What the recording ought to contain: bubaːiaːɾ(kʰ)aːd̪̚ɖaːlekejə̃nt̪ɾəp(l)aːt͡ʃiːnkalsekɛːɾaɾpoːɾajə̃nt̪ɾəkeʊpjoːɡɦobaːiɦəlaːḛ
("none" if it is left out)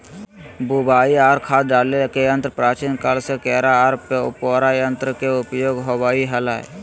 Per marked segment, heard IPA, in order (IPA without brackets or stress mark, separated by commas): kʰ, ɾ